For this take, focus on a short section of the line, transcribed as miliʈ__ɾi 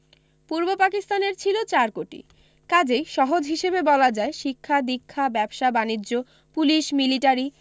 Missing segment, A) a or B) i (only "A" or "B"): A